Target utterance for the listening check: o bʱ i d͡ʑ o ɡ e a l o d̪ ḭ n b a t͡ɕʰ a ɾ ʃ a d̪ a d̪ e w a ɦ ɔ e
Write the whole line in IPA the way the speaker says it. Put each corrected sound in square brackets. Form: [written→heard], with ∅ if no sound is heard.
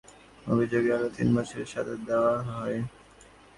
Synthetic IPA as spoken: o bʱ i d͡ʑ o ɡ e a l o [d̪→t̪] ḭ n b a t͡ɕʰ [a→e] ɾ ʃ a d̪ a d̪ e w a ɦ ɔ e